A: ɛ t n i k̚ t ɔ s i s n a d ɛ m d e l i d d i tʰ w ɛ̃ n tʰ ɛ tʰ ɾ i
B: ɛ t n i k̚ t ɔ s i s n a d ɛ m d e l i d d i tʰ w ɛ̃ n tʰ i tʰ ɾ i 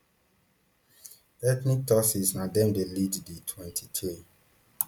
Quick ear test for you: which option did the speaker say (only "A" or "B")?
B